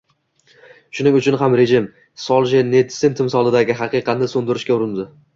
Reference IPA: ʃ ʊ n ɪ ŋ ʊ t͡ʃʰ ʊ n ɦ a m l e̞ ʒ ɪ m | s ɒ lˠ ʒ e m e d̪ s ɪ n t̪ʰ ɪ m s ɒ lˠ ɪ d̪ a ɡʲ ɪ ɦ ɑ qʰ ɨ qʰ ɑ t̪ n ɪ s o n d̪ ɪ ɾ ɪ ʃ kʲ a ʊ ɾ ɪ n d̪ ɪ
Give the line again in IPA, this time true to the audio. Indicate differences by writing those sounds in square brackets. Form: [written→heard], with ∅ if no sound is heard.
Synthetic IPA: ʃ ʊ n ɪ ŋ ʊ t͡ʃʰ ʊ n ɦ a m [l→ɾ] e̞ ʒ ɪ m | s ɒ lˠ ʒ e [m→n] e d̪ s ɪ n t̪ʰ ɪ m s ɒ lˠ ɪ d̪ a ɡʲ ɪ ɦ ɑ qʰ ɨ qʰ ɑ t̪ n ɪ s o n d̪ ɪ ɾ ɪ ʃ kʲ a ʊ ɾ ɪ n d̪ ɪ

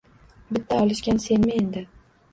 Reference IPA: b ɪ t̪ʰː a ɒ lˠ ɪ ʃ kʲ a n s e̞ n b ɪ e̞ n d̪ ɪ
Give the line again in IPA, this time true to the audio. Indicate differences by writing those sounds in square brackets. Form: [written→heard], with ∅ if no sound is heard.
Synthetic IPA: b ɪ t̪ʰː a ɒ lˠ ɪ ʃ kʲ a n s e̞ n [b→m] ɪ e̞ n d̪ ɪ

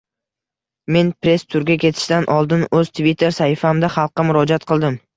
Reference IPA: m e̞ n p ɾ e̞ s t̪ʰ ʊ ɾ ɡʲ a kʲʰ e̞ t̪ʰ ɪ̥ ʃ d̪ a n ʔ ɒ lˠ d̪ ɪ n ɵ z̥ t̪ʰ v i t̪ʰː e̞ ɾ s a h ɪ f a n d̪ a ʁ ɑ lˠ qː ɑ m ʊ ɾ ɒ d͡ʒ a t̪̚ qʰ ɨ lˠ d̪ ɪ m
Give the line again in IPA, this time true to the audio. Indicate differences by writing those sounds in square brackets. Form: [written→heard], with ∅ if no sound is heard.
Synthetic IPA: m e̞ n p ɾ e̞ s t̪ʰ ʊ ɾ ɡʲ a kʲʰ e̞ t̪ʰ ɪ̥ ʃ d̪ a n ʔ ɒ lˠ d̪ ɪ n ɵ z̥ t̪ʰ v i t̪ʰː e̞ ɾ s a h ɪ f a [n→m] d̪ a [ʁ→χ] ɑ lˠ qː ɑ m ʊ ɾ ɒ d͡ʒ a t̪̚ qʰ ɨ lˠ d̪ ɪ m

